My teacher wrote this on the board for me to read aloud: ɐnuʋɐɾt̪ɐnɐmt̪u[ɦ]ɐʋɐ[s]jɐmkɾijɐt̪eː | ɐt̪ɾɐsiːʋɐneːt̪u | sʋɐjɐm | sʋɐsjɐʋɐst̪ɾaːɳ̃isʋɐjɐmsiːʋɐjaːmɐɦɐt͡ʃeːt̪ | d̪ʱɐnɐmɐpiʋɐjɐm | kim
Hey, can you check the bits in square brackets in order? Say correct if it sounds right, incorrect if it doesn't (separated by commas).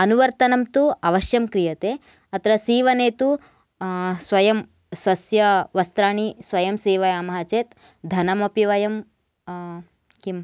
incorrect, incorrect